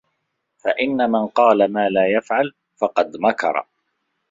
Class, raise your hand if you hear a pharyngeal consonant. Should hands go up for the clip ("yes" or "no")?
yes